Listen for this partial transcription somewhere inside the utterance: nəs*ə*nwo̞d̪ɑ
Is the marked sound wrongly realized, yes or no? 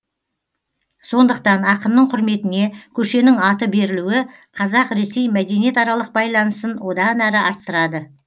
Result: no